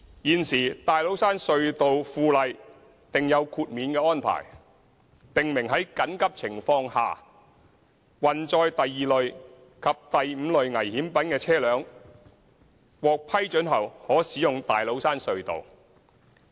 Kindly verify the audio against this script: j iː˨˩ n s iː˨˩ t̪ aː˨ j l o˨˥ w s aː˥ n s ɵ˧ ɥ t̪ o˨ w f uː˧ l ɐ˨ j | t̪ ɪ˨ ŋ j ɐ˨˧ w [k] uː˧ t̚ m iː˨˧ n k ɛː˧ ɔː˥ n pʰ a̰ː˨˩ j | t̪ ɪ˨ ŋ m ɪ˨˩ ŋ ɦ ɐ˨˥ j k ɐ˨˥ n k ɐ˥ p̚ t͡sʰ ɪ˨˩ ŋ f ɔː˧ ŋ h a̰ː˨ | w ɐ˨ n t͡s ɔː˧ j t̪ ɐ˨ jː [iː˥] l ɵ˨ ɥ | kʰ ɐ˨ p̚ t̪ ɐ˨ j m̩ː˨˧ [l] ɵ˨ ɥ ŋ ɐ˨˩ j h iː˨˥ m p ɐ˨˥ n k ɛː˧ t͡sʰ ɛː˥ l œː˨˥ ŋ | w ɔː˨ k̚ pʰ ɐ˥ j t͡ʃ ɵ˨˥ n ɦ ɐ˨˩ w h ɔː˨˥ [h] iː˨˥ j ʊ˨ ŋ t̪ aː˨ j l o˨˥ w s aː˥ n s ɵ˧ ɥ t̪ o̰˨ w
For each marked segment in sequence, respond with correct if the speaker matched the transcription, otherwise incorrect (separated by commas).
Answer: incorrect, incorrect, correct, incorrect